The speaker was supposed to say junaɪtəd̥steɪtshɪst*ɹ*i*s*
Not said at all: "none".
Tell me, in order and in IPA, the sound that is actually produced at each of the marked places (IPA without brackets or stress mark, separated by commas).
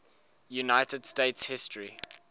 ɹ, none